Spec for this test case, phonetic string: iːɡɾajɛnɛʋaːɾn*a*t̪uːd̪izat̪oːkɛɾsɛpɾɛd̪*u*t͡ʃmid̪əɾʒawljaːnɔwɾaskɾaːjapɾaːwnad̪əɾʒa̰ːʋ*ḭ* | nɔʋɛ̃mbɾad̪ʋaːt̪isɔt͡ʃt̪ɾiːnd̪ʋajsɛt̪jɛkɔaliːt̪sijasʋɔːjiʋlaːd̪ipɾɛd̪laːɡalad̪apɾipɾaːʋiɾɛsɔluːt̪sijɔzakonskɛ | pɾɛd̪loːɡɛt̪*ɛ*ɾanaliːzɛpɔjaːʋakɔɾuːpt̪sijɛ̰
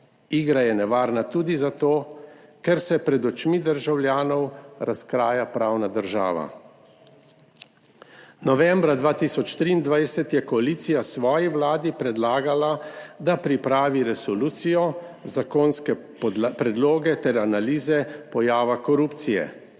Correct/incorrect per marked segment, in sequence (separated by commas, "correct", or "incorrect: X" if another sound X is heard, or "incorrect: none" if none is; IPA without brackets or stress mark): correct, incorrect: ɔ, incorrect: a̰, correct